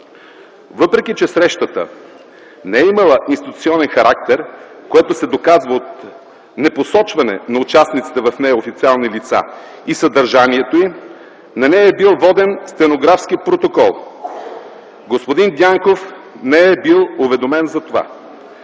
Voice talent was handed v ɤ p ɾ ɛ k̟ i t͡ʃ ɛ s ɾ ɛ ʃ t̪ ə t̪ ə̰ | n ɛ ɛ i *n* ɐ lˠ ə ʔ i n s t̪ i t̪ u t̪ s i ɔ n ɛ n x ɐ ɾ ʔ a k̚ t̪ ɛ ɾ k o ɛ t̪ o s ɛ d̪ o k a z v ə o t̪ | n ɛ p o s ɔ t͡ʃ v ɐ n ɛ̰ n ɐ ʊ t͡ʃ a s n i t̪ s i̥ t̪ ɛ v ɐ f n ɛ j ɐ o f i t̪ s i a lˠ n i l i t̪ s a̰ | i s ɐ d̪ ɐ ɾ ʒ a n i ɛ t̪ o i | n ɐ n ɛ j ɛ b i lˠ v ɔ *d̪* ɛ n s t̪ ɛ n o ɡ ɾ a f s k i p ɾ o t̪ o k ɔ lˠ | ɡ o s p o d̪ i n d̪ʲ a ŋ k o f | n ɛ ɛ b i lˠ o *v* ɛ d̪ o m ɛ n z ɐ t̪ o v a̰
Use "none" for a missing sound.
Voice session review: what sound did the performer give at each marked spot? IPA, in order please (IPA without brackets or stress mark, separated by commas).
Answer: m, d̪, v